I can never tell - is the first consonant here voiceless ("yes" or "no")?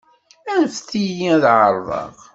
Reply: no